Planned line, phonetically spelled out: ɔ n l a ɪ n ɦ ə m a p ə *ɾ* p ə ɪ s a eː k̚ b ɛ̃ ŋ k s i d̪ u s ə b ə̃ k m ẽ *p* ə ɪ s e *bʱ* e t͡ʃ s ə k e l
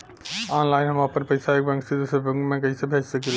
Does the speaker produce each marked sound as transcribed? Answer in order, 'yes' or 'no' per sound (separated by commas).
yes, no, yes